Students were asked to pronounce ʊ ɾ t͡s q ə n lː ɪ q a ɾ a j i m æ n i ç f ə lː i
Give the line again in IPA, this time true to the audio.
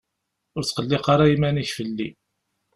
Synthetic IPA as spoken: ʊ ɾ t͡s q ə lː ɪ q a ɾ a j i m æ n i ç f ə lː i